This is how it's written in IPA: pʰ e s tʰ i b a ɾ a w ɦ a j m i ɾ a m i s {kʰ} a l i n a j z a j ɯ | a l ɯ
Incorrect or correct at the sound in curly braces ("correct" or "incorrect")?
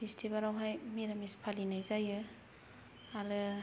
incorrect